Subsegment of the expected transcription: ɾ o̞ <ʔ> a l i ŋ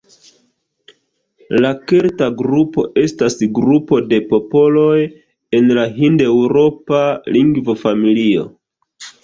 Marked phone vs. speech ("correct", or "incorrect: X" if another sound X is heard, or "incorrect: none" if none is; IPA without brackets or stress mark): incorrect: p